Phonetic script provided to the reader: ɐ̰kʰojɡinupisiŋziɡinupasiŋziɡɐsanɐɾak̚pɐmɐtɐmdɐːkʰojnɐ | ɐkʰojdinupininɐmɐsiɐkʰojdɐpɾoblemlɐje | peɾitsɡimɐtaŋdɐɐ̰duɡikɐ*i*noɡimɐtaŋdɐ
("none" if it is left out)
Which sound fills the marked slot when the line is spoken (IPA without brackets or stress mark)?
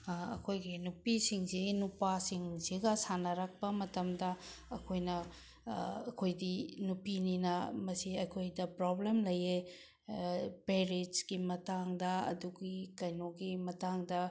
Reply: j